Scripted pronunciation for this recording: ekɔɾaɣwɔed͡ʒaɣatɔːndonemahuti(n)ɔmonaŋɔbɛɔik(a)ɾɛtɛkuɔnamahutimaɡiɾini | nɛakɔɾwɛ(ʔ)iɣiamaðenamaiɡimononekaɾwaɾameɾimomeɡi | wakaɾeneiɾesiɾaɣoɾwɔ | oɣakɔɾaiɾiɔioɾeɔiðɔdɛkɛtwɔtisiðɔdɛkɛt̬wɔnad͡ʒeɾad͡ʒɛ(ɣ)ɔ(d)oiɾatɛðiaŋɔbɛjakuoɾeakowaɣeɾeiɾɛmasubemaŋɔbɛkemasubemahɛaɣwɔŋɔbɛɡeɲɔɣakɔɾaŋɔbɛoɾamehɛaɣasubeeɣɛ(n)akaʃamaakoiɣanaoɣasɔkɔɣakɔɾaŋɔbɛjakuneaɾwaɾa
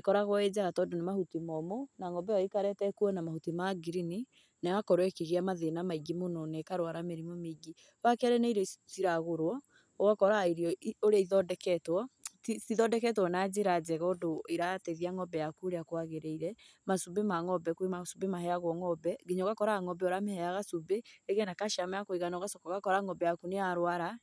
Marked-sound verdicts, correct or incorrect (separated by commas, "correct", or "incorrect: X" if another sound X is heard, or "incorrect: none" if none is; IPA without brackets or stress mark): incorrect: m, correct, incorrect: k, correct, correct, correct